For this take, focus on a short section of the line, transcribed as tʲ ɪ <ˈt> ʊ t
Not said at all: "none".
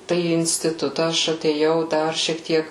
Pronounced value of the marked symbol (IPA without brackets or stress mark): t